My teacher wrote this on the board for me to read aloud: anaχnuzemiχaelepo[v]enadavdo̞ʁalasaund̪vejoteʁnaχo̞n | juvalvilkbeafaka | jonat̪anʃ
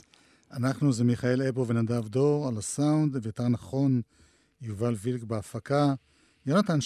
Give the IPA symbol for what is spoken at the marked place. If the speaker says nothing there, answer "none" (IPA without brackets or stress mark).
v